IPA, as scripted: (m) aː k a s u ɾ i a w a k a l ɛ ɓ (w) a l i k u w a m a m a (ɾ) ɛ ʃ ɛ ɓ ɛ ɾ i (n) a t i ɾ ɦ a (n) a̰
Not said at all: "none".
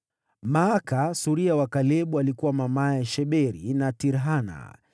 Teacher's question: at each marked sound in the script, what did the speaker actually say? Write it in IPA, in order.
m, u, none, n, n

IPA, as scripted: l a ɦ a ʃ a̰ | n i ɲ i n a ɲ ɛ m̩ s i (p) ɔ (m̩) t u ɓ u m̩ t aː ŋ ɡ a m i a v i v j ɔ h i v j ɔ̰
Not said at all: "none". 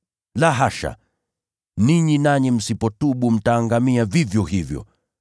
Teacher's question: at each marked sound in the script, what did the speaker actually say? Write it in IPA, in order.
p, none

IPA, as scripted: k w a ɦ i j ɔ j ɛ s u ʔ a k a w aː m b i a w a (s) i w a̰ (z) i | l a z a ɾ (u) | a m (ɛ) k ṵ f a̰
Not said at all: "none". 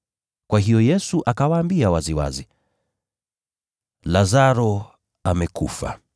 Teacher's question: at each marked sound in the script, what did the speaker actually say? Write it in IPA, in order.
z, z, ɔ, ɛ

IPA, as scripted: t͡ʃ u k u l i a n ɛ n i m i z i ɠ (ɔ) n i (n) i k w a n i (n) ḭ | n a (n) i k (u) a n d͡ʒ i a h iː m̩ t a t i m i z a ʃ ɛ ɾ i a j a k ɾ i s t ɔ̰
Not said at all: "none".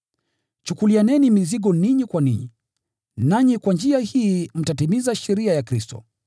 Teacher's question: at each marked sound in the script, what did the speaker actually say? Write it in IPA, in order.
ɔ, ɲ, ɲ, ɲ, w

